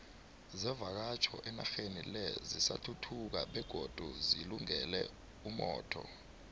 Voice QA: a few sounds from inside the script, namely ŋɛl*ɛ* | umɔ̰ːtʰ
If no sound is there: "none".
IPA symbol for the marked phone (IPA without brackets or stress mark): ɛ